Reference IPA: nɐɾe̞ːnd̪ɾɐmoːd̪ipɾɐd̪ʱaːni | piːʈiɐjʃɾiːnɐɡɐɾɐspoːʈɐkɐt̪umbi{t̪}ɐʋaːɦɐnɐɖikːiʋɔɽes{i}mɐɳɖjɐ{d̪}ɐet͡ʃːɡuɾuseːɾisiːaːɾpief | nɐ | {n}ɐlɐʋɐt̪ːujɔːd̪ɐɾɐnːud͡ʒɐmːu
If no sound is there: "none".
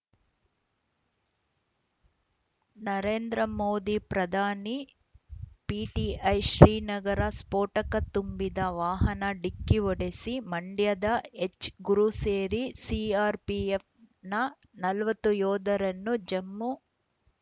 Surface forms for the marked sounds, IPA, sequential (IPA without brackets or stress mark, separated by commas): d̪, i, d̪, n